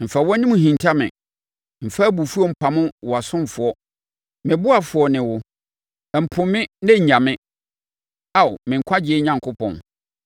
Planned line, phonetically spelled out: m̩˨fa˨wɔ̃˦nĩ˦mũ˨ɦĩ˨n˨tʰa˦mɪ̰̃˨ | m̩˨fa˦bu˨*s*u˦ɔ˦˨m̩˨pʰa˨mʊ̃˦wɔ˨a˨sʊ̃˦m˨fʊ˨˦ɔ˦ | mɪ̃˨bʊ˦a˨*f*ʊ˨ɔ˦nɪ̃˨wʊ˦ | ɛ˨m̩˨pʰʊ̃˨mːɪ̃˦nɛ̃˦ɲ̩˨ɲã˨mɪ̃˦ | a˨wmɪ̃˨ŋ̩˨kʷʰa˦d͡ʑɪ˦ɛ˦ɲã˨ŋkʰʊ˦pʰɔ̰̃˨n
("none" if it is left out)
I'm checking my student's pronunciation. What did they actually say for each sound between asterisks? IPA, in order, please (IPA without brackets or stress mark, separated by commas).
f, f